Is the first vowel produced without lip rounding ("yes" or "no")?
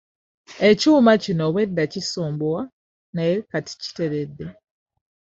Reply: yes